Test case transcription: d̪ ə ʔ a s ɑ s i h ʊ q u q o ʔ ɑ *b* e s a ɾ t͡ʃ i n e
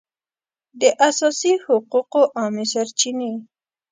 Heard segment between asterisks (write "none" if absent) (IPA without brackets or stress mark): m